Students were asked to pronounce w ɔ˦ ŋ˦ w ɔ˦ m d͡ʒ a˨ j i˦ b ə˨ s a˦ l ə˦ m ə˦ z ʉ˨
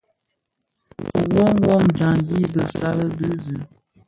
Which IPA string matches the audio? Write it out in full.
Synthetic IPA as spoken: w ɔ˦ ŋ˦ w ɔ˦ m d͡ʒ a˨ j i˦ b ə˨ s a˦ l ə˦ b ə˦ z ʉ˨